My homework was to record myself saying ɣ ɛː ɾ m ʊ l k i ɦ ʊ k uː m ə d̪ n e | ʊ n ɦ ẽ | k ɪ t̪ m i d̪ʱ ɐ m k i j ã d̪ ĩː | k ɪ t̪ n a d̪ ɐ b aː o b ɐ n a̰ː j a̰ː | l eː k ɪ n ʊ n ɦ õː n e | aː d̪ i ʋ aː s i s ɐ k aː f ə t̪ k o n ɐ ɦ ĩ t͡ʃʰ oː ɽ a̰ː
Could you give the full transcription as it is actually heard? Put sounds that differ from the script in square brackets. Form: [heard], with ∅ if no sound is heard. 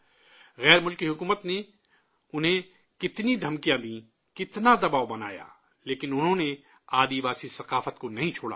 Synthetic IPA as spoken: ɣ ɛː ɾ m ʊ l k i ɦ ʊ k uː m ə [t̪] n e | ʊ n ɦ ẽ | k ɪ t̪ [n] i d̪ʱ ɐ m k i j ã d̪ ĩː | k ɪ t̪ n a d̪ ɐ b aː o b ɐ n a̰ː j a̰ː | l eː k ɪ n ʊ n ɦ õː n e | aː d̪ i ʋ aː s i s ɐ [q] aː f ə t̪ k o n ɐ ɦ ĩ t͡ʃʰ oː ɽ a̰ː